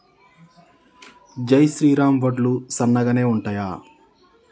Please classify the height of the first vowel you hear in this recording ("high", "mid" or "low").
low